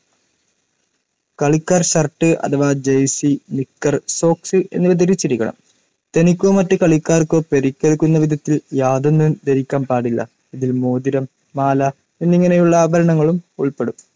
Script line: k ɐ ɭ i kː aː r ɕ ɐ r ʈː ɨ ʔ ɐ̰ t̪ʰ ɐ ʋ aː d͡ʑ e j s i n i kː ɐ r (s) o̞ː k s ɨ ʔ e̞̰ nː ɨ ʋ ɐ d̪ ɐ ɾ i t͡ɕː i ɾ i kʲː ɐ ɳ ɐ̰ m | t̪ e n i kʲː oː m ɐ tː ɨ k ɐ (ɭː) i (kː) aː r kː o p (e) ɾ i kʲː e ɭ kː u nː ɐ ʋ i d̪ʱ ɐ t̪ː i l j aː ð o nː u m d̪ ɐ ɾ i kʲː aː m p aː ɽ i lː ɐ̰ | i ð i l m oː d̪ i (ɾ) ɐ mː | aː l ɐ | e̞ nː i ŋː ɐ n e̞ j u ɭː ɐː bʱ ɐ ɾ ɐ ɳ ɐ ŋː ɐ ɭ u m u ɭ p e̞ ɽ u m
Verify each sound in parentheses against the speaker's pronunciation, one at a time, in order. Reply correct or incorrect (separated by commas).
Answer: correct, incorrect, correct, correct, correct